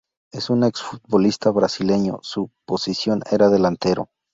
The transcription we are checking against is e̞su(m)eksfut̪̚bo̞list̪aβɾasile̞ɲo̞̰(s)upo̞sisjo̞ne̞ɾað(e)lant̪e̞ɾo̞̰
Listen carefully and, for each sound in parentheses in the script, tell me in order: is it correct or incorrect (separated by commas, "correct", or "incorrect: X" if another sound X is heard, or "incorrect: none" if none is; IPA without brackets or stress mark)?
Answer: incorrect: n, correct, correct